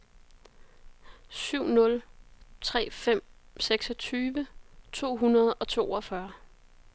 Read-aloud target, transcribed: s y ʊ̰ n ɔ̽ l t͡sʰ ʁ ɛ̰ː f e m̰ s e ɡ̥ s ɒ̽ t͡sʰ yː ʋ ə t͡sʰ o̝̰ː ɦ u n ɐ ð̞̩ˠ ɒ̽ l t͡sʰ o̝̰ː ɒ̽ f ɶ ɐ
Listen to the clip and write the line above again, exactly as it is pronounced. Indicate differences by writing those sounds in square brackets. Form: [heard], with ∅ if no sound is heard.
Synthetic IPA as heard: s y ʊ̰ n ɔ̽ l t͡sʰ ʁ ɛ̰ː f e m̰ s e ɡ̥ s ɒ̽ t͡sʰ yː ʋ ə t͡sʰ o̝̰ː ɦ u n ɐ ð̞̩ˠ ɒ̽ [∅] t͡sʰ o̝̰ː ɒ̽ f ɶ ɐ

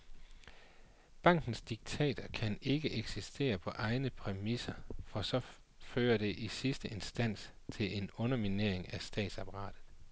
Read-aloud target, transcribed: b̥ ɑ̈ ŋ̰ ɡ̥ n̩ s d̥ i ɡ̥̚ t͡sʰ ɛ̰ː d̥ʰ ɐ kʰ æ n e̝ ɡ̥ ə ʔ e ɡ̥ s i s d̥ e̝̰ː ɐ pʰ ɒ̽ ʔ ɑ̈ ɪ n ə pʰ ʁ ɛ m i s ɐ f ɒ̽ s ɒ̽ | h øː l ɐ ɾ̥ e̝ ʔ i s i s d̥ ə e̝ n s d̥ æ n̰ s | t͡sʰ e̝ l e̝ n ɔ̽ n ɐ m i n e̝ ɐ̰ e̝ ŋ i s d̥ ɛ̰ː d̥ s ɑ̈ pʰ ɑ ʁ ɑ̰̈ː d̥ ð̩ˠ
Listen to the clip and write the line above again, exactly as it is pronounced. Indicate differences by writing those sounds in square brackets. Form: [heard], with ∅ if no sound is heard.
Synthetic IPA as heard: b̥ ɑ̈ ŋ̰ ɡ̥ n̩ s d̥ i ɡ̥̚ t͡sʰ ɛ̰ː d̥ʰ ɐ kʰ æ n e̝ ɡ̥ ə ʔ e ɡ̥ s i s d̥ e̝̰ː ɐ pʰ ɒ̽ ʔ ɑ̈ ɪ n ə pʰ ʁ ɛ m i s ɐ f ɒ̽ s ɒ̽ | [f] øː [∅] ɐ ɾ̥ e̝ ʔ i s i s d̥ ə e̝ n s d̥ æ n̰ s | t͡sʰ e̝ l e̝ n ɔ̽ n ɐ m i n e̝ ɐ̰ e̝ ŋ [æ] s d̥ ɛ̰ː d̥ s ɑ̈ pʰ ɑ ʁ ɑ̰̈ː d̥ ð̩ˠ

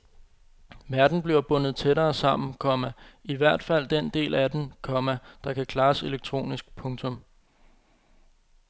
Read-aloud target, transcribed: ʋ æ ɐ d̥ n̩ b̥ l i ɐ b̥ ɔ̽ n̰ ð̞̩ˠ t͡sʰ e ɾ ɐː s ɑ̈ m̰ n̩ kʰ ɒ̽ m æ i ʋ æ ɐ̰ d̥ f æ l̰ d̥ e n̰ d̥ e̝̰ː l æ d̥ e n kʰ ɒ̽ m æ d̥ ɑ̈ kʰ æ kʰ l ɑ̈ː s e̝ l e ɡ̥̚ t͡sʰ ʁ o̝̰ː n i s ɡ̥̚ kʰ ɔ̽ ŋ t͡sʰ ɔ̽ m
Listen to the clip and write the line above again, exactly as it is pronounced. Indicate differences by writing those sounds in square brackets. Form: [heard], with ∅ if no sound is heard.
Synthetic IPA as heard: ʋ æ ɐ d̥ n̩ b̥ l i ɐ b̥ ɔ̽ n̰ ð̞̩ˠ t͡sʰ e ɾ ɐː s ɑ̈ m̰ n̩ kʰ ɒ̽ m æ i ʋ æ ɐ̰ d̥ f æ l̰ d̥ e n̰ d̥ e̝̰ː l æ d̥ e n kʰ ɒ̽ m æ d̥ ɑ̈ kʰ æ kʰ l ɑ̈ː s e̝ l e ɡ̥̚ t͡sʰ ʁ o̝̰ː n i s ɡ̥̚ [pʰ] ɔ̽ ŋ t͡sʰ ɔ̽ m

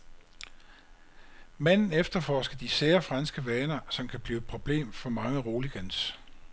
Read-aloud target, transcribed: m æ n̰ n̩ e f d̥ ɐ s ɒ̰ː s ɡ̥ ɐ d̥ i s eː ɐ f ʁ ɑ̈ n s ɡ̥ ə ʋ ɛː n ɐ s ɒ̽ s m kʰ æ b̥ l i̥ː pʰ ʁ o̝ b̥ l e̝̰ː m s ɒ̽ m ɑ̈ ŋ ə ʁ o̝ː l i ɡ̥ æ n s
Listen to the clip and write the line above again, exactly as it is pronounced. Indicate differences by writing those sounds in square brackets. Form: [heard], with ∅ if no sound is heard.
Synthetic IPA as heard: m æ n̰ n̩ e f d̥ ɐ [f] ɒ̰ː s ɡ̥ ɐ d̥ i s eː ɐ f ʁ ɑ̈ n s ɡ̥ ə ʋ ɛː n ɐ s ɒ̽ [∅] m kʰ æ b̥ l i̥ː pʰ ʁ o̝ b̥ l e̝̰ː m [f] ɒ̽ m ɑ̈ ŋ ə ʁ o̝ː l i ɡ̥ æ n s

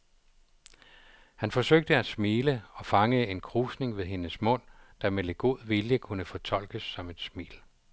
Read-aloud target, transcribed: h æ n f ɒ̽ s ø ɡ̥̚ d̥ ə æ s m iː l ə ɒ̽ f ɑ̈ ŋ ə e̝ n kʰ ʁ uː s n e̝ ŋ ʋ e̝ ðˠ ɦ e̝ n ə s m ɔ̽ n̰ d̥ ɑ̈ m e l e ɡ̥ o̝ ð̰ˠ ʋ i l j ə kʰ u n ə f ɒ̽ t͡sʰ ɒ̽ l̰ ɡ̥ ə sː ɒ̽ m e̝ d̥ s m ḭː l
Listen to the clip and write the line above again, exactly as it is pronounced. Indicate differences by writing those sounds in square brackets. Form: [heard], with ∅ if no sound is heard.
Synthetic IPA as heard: h æ n f ɒ̽ s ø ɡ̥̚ d̥ ə æ s m iː l ə ɒ̽ f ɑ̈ ŋ ə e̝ n kʰ ʁ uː s n e̝ ŋ ʋ e̝ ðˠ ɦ e̝ n ə s m ɔ̽ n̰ d̥ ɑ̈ m e l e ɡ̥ o̝ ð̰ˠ ʋ i l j ə kʰ u n ə f ɒ̽ t͡sʰ ɒ̽ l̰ ɡ̥ ə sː ɒ̽ m e̝ d̥ s m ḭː l

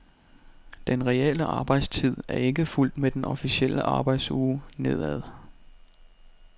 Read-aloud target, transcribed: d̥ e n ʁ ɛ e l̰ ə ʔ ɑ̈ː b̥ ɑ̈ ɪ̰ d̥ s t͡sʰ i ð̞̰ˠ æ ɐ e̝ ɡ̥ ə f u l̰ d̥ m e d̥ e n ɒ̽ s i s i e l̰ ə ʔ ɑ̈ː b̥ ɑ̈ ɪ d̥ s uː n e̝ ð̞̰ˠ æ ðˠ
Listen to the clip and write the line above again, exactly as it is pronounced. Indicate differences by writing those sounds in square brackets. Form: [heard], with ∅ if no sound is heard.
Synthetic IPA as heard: d̥ e n ʁ ɛ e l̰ ə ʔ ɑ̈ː b̥ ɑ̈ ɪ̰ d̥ s t͡sʰ i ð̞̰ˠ æ ɐ e̝ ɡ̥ ə f u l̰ d̥ m e d̥ e n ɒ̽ [f] i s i e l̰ ə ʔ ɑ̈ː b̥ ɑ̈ ɪ d̥ s uː n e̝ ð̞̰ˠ æ ðˠ

